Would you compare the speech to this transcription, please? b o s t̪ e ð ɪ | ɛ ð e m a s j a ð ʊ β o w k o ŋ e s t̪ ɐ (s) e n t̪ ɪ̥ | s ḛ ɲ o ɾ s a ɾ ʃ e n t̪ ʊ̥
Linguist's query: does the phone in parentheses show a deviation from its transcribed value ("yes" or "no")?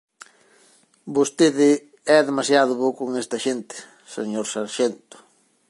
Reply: yes